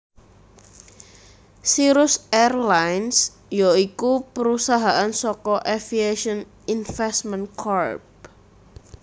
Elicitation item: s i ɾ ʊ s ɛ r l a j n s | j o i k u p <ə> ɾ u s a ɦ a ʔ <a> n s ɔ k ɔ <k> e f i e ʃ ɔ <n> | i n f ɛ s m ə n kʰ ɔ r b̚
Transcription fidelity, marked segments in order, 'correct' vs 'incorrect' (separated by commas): correct, correct, incorrect, correct